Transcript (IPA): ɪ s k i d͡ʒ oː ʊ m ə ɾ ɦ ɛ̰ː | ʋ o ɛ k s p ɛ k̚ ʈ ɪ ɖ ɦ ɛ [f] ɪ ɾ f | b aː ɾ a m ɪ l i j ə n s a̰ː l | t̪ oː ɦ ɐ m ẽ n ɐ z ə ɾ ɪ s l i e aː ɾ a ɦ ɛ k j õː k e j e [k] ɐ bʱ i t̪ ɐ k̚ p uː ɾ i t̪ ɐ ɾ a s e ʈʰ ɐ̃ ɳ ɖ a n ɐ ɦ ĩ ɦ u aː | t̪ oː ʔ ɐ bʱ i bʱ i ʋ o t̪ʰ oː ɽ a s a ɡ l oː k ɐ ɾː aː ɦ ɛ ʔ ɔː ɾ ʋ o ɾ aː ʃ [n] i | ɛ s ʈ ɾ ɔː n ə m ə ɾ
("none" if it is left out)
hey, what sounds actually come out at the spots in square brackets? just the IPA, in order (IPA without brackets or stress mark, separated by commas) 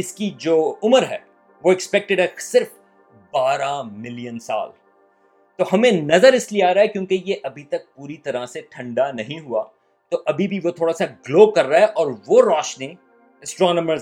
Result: s, ʔ, n